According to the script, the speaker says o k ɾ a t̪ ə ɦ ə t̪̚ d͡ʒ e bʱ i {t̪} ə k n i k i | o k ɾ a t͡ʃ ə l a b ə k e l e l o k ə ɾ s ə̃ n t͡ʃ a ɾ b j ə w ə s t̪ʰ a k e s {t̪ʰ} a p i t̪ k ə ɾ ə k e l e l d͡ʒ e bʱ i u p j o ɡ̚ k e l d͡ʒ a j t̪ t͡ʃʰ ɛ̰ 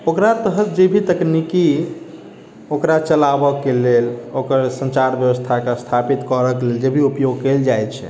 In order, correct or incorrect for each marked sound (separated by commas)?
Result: correct, correct